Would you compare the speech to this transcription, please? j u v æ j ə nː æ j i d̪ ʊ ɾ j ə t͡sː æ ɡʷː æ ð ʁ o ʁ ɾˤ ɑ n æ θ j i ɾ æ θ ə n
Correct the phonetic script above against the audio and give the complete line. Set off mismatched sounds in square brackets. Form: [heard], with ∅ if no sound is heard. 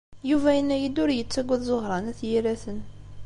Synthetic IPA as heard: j u v æ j ə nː æ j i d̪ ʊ ɾ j ə t͡sː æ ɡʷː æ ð [z] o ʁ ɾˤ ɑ n æ θ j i ɾ æ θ ə n